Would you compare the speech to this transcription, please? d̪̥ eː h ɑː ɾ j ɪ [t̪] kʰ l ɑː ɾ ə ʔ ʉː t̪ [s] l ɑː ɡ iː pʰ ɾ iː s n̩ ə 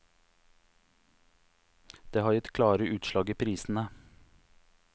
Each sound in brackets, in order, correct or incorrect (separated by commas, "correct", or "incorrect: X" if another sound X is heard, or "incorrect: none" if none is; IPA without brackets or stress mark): correct, incorrect: ʃ